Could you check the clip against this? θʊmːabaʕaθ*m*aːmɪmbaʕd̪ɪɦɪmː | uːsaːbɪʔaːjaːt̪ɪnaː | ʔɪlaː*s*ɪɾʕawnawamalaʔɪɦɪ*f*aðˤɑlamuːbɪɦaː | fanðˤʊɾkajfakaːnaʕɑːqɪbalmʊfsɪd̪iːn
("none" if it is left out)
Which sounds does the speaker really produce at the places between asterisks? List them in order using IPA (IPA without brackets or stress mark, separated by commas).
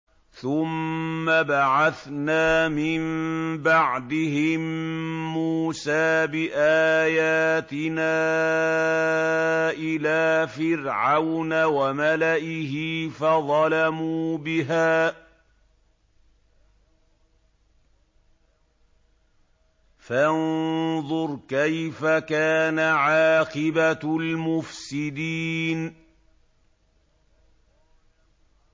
n, f, f